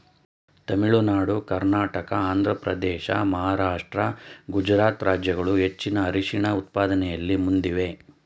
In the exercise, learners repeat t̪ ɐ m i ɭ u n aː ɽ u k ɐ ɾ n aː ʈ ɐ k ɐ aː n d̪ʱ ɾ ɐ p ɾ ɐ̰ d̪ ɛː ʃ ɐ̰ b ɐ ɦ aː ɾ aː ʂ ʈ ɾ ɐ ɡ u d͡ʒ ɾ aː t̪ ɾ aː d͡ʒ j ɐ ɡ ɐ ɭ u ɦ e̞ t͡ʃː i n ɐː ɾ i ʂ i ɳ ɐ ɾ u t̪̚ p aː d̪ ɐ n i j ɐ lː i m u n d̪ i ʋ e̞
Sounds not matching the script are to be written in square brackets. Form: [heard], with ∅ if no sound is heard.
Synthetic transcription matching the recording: t̪ ɐ m i ɭ u n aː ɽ u k ɐ ɾ n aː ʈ ɐ k ɐ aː n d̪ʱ ɾ ɐ p ɾ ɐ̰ d̪ ɛː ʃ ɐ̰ [m] ɐ ɦ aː ɾ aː ʂ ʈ ɾ ɐ ɡ u d͡ʒ ɾ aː t̪ ɾ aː d͡ʒ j ɐ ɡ ɐ ɭ u ɦ e̞ t͡ʃː i n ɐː ɾ i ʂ i ɳ ɐ [∅] u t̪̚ p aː d̪ ɐ n [ɛ] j ɐ lː i m u n d̪ i ʋ e̞